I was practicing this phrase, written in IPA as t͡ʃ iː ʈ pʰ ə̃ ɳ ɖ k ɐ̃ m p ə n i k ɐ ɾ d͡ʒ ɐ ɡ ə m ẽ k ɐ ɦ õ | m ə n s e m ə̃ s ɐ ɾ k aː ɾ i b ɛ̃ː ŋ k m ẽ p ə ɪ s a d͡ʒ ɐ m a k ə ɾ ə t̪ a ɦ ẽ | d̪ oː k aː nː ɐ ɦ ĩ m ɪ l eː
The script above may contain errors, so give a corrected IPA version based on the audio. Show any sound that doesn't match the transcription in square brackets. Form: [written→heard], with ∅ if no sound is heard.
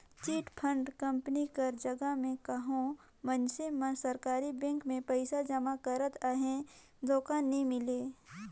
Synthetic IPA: t͡ʃ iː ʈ pʰ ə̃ ɳ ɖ k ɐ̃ m p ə n i k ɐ ɾ d͡ʒ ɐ ɡ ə m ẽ k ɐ ɦ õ | m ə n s e m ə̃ s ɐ ɾ k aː ɾ i b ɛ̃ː ŋ k m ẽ p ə ɪ s a d͡ʒ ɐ m a k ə ɾ ə t̪ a ɦ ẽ | d̪ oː k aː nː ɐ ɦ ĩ m ɪ l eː